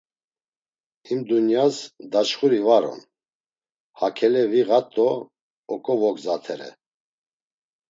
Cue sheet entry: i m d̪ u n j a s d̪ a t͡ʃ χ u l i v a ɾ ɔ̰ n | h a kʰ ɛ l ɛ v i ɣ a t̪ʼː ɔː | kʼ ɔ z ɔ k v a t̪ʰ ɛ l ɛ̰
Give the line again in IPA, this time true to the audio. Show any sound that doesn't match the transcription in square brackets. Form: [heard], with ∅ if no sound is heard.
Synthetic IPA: i m d̪ u n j a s d̪ a t͡ʃ χ u [ɾ] i v a ɾ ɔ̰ n | h a kʰ ɛ l ɛ v i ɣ a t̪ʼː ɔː | kʼ ɔ [v] ɔ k [z] a t̪ʰ ɛ [ɾ] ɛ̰